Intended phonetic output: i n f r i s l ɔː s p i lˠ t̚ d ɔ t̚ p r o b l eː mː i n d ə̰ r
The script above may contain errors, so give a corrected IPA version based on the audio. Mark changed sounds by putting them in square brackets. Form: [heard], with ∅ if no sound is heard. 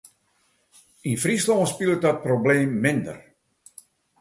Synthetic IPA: i n f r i s l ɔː s p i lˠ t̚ d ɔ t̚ p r o b l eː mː [ɪ] n d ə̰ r